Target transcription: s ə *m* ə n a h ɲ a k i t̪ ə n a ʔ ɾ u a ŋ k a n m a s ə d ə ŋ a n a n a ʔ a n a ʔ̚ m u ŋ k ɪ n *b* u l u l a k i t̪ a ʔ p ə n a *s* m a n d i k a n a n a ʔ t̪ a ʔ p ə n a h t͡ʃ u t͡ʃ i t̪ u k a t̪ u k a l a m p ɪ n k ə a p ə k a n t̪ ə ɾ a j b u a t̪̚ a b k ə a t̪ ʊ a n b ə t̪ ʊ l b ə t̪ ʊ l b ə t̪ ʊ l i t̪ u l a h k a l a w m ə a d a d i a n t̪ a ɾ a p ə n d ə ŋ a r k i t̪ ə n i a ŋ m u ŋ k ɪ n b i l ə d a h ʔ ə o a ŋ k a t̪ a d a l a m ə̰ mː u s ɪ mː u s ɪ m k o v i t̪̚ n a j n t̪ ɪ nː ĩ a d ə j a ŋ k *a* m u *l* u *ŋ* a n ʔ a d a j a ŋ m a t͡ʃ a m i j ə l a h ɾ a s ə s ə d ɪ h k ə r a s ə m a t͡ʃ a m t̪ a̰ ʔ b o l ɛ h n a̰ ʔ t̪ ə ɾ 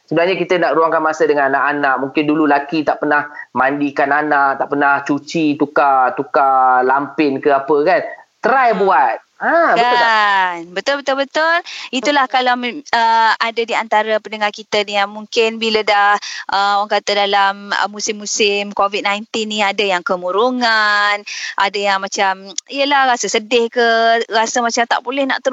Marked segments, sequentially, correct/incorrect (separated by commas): incorrect, incorrect, incorrect, incorrect, incorrect, correct